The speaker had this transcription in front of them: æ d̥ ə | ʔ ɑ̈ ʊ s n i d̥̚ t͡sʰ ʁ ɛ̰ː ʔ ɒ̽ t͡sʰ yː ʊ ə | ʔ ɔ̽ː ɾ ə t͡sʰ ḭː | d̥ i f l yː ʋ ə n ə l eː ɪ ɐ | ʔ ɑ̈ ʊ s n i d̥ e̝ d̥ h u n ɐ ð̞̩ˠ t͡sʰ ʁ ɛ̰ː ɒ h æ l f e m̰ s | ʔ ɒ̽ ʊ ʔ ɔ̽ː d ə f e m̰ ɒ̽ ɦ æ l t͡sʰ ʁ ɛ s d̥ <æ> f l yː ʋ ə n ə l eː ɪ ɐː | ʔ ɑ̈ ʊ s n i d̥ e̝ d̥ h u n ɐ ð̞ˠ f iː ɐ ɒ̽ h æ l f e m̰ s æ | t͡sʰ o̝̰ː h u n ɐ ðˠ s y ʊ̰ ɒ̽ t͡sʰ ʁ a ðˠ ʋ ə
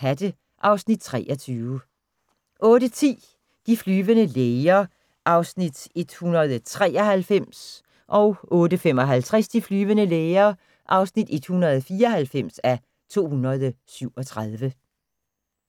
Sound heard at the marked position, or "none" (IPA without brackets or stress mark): i